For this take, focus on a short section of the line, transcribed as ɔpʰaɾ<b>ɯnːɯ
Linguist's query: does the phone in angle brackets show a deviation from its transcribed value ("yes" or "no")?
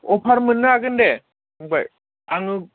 yes